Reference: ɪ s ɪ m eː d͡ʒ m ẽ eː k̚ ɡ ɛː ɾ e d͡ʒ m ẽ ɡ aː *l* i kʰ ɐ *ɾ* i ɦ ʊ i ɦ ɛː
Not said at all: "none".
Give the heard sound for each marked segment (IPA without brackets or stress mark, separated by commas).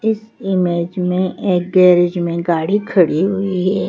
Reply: ɽ, ɽ